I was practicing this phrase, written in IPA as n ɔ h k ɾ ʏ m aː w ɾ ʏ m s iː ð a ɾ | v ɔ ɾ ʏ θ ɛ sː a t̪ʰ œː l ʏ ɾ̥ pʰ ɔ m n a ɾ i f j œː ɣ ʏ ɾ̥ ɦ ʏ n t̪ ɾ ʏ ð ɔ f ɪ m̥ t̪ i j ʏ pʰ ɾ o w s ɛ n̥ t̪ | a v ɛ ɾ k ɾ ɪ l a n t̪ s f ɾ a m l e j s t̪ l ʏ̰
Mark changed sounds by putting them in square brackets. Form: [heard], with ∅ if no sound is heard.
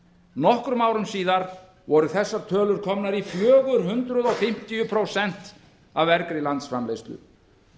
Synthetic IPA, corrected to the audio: n ɔ h k ɾ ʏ m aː w ɾ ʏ m s iː ð a ɾ | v ɔ ɾ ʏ θ ɛ sː a t̪ʰ œː l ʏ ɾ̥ [kʰ] ɔ m n a ɾ i f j œː ɣ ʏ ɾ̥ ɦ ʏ n t̪ ɾ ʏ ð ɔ f ɪ m̥ t̪ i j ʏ pʰ ɾ o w s ɛ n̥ t̪ | a v ɛ ɾ k ɾ ɪ l a n t̪ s f ɾ a m l e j s t̪ l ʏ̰